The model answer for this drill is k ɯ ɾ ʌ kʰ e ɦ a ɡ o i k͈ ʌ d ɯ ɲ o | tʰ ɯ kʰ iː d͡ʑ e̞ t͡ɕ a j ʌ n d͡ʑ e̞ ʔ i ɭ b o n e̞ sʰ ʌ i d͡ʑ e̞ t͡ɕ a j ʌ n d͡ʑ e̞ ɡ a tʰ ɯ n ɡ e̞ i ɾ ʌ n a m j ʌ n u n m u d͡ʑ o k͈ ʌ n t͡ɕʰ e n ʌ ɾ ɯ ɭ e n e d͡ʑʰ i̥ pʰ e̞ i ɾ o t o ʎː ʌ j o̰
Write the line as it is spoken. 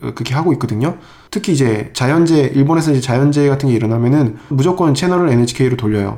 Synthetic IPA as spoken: k ɯ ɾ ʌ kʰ e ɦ a ɡ o i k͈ ʌ d ɯ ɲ o | tʰ ɯ kʰ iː d͡ʑ e̞ t͡ɕ a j ʌ n d͡ʑ e̞ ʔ i ɭ b o n e̞ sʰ ʌ i d͡ʑ e̞ t͡ɕ a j ʌ n d͡ʑ e̞ ɡ a tʰ ɯ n ɡ e̞ i ɾ ʌ n a m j ʌ n ɯ n m u d͡ʑ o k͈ ʌ n t͡ɕʰ e n ʌ ɾ ɯ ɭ e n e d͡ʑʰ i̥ kʰ e̞ i ɾ o t o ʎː ʌ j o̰